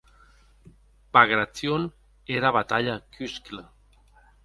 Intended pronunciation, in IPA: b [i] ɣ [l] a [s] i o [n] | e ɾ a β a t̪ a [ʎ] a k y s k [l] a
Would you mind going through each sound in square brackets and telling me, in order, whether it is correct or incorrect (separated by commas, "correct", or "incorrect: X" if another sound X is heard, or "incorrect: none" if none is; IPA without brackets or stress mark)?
incorrect: a, incorrect: ɾ, incorrect: t͡s, correct, correct, correct